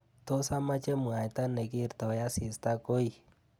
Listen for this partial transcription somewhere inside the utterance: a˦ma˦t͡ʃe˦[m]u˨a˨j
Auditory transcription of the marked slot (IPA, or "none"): m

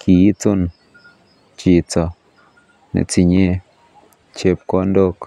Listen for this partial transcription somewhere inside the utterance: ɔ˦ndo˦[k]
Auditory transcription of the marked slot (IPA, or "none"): k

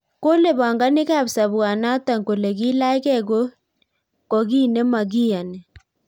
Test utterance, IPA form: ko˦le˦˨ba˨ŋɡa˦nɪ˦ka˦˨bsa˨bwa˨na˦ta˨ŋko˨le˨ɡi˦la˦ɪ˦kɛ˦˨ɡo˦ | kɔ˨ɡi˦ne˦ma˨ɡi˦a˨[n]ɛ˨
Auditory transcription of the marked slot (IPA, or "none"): n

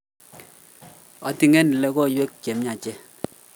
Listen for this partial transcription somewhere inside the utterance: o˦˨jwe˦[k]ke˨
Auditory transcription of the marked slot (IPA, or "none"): k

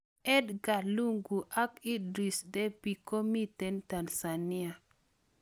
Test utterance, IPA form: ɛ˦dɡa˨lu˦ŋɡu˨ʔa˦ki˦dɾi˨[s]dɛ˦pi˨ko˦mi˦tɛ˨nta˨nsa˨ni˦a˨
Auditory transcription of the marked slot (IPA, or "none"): s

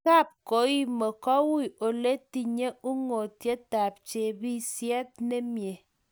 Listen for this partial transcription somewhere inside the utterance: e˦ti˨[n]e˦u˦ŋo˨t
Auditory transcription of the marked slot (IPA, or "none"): ɲ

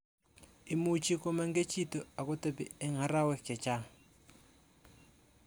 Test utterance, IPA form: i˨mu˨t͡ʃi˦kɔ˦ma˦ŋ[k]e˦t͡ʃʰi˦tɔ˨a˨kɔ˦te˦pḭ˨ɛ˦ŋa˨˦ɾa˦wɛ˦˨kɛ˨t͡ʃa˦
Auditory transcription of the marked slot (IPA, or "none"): ɡ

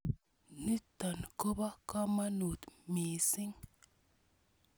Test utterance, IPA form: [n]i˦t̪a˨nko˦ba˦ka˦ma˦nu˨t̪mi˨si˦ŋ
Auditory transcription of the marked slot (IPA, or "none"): n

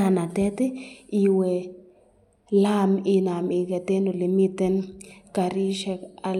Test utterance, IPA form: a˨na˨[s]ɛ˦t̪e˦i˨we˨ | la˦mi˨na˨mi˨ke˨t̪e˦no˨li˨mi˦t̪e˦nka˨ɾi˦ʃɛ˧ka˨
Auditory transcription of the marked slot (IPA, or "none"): t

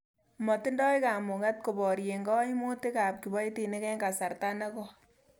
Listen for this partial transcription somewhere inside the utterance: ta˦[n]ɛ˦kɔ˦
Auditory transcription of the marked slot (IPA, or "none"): n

